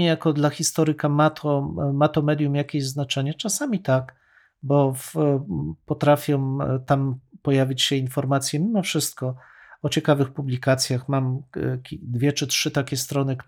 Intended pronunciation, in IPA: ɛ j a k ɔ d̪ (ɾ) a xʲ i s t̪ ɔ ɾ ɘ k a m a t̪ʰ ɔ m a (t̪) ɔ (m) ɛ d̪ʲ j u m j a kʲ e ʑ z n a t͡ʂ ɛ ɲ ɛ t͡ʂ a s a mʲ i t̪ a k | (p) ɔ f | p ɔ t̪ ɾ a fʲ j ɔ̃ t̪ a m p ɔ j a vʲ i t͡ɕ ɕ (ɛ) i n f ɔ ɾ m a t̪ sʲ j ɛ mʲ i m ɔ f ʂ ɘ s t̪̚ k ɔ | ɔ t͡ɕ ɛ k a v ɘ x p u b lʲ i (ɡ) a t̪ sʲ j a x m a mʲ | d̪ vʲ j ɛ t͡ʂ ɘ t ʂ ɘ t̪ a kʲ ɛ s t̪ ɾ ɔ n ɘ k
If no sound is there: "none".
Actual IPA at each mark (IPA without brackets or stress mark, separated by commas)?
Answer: l, t̪, m, b, ɛ, k